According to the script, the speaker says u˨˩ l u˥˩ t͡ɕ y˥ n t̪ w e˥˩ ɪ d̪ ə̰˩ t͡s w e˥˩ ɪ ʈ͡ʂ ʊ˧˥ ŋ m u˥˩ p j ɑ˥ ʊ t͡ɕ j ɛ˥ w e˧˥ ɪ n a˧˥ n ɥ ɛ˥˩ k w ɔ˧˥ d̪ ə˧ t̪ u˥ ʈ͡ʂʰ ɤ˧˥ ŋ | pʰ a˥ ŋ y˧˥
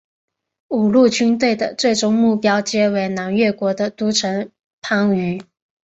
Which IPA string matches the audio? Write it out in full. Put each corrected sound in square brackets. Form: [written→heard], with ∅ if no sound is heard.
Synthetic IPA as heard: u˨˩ l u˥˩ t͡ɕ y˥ n t̪ w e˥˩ ɪ d̪ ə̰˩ t͡s w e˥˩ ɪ ʈ͡ʂ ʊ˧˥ ŋ m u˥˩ p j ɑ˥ ʊ t͡ɕ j ɛ˥ w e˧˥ ɪ n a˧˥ n ɥ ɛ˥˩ k w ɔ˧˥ d̪ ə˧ t̪ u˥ ʈ͡ʂʰ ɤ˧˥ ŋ | pʰ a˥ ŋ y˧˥